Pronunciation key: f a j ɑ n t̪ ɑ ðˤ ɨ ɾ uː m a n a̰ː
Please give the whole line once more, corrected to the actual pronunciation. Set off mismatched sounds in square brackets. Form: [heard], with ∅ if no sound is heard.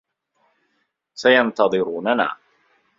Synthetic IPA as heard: [s] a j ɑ n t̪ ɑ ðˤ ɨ ɾ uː [n] a n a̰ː